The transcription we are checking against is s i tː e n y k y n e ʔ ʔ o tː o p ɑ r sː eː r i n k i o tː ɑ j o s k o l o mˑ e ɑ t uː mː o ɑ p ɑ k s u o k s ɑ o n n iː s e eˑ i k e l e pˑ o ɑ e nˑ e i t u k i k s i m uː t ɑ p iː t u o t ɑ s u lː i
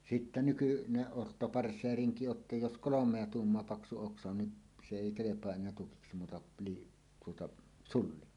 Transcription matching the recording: s i tː æ n y k y n e ʔ ʔ o tː o p ɑ r sː eː r i ŋ k i o tː ɑ j o s k o l o mˑ e ɑ t uː mː o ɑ p ɑ k s u o k s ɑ o n n i s e eˑ i k e l e pˑ o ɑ e nˑ e æ t u k i k s i m uː t ɑ p iː t u o t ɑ s u lː i